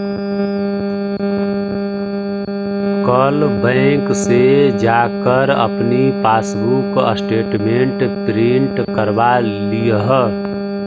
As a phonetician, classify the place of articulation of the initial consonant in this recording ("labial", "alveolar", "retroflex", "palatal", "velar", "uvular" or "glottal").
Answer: velar